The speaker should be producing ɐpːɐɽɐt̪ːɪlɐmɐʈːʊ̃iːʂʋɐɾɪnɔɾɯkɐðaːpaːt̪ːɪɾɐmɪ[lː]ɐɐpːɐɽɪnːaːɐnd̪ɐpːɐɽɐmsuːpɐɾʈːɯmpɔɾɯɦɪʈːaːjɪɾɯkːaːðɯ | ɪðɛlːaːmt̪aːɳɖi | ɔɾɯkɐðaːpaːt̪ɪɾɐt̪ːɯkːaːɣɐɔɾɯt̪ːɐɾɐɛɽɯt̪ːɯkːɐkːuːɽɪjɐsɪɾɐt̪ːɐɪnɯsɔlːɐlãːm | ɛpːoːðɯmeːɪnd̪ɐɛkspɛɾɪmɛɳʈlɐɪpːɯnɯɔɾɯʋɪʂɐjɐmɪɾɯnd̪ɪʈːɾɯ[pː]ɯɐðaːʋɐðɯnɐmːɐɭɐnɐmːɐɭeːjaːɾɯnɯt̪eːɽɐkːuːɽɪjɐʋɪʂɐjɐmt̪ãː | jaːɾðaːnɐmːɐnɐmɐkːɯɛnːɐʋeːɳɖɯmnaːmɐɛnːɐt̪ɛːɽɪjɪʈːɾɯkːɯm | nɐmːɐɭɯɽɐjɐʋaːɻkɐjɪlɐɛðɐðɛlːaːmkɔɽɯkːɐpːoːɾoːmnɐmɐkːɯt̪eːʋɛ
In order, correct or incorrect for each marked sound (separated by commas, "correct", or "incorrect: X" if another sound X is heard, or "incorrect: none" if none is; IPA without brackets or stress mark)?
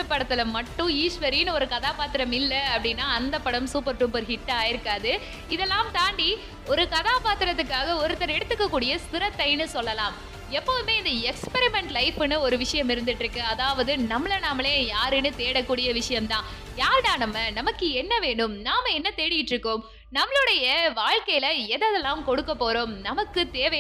correct, incorrect: kː